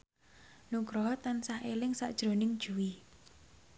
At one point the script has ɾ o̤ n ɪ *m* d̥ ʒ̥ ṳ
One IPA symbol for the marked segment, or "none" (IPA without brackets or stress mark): ŋ